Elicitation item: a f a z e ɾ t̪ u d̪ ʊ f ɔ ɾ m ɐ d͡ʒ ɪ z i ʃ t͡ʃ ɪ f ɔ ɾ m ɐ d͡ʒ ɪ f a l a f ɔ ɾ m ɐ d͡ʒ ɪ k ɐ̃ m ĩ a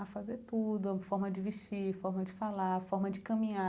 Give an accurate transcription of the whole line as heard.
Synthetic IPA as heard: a f a z e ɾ t̪ u d̪ ʊ f ɔ ɾ m ɐ d͡ʒ ɪ v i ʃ t͡ʃ i f ɔ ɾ m ɐ d͡ʒ ɪ f a l a f ɔ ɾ m ɐ d͡ʒ ɪ k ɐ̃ m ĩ a